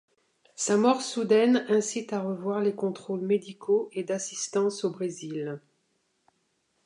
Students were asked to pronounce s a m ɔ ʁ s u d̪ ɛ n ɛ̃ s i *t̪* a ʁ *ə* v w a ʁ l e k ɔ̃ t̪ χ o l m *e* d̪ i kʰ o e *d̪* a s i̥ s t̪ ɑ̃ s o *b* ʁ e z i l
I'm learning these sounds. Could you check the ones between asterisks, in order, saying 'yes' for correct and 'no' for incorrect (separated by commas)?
yes, yes, yes, yes, yes